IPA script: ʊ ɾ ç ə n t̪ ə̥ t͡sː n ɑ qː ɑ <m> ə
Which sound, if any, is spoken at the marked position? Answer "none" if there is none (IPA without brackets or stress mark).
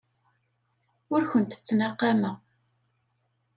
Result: m